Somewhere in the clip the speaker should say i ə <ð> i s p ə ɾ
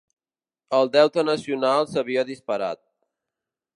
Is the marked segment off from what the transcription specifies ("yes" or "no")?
no